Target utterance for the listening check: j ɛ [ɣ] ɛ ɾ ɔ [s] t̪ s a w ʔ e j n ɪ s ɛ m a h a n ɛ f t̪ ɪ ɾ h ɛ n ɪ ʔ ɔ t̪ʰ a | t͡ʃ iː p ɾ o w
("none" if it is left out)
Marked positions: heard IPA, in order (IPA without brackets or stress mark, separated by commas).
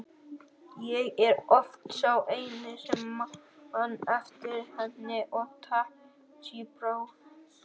ɣ, f